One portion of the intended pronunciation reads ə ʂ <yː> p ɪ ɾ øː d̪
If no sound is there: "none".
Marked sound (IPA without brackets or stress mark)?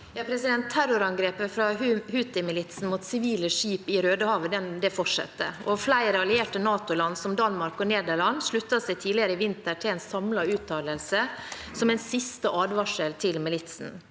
iː